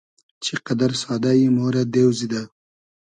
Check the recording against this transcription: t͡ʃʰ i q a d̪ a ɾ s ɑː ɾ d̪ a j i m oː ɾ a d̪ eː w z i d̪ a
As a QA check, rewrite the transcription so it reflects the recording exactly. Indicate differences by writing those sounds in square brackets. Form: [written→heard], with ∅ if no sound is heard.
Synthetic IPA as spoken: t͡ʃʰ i q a d̪ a ɾ s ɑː [ɾ→∅] d̪ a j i m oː ɾ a d̪ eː w z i d̪ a